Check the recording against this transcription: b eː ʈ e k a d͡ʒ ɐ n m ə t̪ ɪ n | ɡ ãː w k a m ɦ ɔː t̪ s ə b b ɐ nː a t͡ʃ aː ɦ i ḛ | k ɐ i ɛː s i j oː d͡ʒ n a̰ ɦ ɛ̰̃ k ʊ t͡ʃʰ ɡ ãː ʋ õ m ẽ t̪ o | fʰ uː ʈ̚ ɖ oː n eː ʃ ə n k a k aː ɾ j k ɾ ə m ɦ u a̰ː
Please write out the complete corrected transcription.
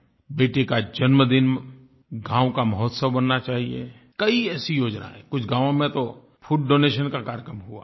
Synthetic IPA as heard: b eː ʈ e k a d͡ʒ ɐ n m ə d̪ ɪ n | ɡ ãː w k a m ɦ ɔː t̪ s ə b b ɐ nː a t͡ʃ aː ɦ i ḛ | k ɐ i ɛː s i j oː d͡ʒ n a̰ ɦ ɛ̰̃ k ʊ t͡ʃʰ ɡ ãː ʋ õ m ẽ t̪ o | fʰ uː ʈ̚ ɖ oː n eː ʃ ə n k a k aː ɾ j k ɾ ə m ɦ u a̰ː